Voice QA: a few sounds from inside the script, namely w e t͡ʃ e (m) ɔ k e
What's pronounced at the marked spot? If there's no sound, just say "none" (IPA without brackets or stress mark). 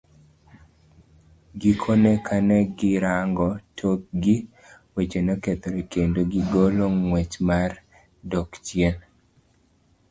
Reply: n